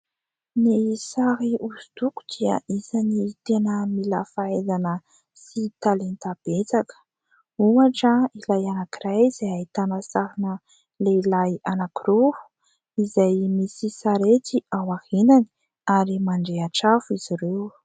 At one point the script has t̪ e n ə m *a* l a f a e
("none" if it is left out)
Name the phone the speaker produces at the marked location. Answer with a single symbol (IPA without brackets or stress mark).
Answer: i